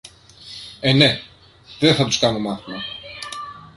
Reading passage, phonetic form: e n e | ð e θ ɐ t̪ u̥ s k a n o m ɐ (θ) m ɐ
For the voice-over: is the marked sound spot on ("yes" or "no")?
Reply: yes